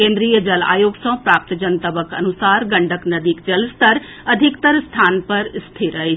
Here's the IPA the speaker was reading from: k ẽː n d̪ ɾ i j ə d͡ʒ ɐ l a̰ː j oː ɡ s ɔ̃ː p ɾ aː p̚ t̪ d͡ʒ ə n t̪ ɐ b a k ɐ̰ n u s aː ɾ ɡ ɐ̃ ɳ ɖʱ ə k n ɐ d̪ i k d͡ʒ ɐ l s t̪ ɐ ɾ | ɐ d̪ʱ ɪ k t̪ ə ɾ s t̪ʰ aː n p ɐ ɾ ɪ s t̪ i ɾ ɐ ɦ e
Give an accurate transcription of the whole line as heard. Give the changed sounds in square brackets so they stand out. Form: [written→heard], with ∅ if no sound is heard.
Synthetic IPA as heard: k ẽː n d̪ ɾ i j ə d͡ʒ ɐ l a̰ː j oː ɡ s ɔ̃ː p ɾ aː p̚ t̪ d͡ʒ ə n t̪ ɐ b [a→ə] k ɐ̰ n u s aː ɾ ɡ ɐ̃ ɳ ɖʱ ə k n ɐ d̪ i k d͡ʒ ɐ l s t̪ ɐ ɾ | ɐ d̪ʱ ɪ k t̪ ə ɾ s t̪ʰ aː n p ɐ ɾ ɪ s [t̪→t̪ʰ] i ɾ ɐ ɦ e